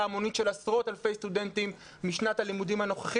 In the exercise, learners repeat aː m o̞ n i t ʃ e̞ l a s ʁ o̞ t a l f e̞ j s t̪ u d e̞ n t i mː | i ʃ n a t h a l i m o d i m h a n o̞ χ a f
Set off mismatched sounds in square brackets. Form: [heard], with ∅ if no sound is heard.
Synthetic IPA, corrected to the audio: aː m o̞ n i t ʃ e̞ l a s ʁ o̞ t a l f e̞ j s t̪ u d e̞ n t i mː | i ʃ n a t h a l i m [u] d i m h a n o̞ χ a [χ]